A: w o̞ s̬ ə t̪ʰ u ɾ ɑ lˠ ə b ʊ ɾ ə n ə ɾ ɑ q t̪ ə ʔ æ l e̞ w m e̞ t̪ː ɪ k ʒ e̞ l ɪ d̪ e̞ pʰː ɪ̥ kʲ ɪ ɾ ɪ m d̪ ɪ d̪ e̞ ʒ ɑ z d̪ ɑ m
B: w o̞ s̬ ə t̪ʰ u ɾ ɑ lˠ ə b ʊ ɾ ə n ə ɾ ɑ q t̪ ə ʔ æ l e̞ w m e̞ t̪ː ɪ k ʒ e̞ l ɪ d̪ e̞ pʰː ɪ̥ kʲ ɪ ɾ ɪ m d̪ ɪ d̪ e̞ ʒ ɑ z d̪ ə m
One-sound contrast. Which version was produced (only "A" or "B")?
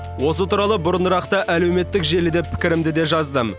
B